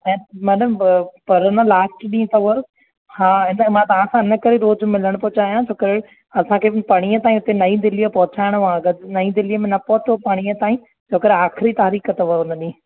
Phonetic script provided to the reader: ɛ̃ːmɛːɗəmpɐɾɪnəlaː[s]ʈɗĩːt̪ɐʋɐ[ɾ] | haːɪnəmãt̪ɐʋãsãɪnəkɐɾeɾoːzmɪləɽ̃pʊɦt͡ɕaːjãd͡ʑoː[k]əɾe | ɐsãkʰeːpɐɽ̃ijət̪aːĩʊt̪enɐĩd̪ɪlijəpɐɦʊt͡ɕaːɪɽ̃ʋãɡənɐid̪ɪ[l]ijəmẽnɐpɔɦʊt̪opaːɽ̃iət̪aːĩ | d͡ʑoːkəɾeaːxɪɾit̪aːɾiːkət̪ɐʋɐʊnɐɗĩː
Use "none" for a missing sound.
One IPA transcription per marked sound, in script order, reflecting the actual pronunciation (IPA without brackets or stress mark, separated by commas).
s, ɾ, k, l